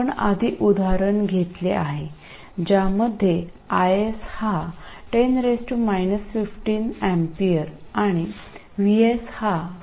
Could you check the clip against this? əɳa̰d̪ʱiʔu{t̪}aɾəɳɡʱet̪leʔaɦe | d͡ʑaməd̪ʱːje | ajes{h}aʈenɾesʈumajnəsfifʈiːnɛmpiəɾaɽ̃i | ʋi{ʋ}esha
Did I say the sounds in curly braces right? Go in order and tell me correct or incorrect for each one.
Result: incorrect: d̪, correct, incorrect: none

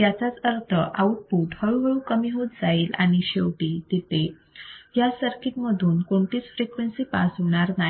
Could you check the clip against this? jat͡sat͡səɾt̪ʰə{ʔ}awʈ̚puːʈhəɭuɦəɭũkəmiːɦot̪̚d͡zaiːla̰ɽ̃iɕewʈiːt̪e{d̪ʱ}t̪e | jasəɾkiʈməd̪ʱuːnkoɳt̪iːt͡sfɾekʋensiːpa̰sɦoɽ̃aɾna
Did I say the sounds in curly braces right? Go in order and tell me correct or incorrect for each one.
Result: correct, incorrect: none

